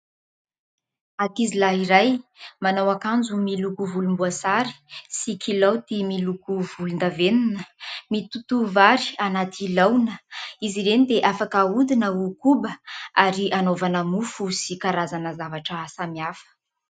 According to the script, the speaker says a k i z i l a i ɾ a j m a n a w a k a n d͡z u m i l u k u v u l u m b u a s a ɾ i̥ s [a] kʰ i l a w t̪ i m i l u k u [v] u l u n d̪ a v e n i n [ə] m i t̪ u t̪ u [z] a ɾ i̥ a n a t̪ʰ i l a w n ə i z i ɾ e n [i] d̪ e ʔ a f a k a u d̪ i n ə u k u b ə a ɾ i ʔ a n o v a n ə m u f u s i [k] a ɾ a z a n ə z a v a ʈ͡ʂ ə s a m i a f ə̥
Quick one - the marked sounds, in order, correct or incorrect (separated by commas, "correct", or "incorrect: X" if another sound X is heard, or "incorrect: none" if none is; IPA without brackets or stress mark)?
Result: incorrect: i, correct, correct, incorrect: v, correct, correct